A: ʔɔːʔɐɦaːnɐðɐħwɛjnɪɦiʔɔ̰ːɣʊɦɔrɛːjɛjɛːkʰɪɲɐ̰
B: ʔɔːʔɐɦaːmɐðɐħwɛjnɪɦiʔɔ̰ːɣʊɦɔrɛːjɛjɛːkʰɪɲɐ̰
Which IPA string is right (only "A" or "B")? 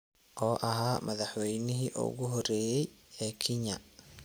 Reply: B